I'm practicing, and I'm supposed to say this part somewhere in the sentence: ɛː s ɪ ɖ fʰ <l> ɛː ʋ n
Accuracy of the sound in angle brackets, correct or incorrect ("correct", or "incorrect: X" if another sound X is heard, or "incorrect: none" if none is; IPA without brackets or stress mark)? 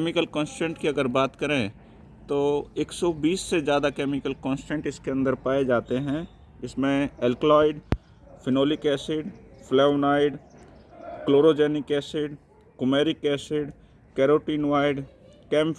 correct